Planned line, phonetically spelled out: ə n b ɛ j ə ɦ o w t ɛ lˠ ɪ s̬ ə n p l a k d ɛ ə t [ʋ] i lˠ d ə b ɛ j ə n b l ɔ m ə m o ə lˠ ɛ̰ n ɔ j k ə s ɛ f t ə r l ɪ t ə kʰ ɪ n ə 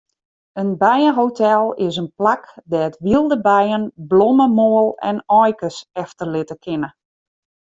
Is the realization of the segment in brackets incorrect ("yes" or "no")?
no